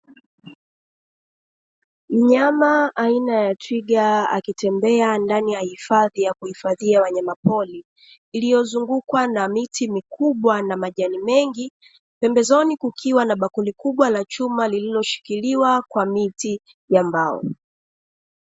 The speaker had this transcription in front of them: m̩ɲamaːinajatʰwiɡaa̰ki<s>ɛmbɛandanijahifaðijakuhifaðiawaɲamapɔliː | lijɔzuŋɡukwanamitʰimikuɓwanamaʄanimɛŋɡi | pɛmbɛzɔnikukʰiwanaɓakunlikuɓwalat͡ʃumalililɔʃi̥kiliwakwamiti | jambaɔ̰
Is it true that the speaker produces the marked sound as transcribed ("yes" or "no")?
no